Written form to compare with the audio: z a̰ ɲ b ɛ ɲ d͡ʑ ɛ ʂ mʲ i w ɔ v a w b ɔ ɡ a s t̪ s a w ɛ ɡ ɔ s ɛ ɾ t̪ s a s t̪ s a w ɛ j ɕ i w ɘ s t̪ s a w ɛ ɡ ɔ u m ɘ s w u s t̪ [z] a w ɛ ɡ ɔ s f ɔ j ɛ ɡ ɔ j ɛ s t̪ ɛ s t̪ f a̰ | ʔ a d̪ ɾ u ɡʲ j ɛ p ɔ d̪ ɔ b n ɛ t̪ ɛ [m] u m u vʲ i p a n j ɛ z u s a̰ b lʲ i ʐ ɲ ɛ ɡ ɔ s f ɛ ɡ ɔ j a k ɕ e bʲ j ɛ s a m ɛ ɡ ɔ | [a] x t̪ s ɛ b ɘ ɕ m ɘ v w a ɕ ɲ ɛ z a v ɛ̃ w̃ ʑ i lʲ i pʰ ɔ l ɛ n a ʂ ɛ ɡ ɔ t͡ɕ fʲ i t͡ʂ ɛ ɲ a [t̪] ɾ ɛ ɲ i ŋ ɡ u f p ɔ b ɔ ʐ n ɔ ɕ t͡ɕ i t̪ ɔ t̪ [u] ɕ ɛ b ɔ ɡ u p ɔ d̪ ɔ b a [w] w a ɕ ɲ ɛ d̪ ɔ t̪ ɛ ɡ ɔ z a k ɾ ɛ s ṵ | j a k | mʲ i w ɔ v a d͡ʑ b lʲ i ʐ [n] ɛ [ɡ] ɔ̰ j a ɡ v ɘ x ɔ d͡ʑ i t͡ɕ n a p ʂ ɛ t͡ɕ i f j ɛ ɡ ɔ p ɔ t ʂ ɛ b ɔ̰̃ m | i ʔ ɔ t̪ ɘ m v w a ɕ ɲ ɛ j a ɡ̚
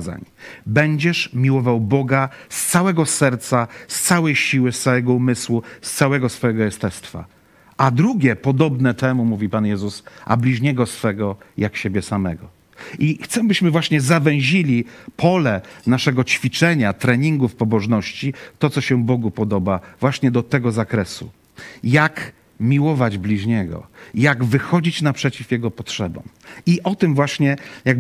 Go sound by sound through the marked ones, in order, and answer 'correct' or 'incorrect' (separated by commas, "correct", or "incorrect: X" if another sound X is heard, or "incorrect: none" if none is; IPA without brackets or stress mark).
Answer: incorrect: s, correct, incorrect: i, correct, incorrect: ɔ, incorrect: v, incorrect: ɲ, correct